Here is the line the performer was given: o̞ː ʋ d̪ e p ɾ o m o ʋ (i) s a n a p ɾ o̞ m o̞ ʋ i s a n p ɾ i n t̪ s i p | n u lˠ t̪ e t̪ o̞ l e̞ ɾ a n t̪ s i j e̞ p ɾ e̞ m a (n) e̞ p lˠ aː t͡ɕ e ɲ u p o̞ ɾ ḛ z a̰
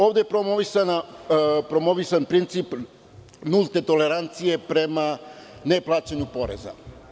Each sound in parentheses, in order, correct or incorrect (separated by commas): correct, correct